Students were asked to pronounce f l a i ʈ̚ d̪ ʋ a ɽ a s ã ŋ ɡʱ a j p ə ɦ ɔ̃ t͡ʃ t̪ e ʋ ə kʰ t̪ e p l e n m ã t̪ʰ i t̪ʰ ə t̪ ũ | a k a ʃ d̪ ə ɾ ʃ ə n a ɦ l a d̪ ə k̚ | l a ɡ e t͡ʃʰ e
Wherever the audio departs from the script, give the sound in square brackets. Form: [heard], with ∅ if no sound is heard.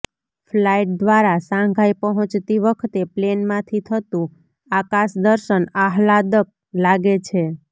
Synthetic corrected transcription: f l a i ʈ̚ d̪ ʋ a [ɾ] a s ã ŋ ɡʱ a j p ə ɦ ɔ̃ t͡ʃ t̪ [i] ʋ ə kʰ t̪ e p l e n m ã t̪ʰ i t̪ʰ ə t̪ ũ | a k a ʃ d̪ ə ɾ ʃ ə n a ɦ l a d̪ ə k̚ | l a ɡ e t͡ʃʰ e